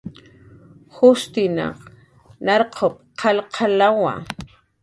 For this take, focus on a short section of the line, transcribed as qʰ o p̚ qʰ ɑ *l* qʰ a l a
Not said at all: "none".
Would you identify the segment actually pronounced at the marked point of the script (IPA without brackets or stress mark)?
l